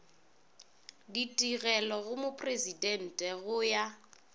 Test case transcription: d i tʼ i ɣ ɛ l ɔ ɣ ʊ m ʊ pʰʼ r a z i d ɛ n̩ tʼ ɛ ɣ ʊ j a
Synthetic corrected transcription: d i tʼ i ɣ ɛ l ɔ ɣ ʊ m ʊ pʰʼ r e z i d ɛ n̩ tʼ ɛ ɣ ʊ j a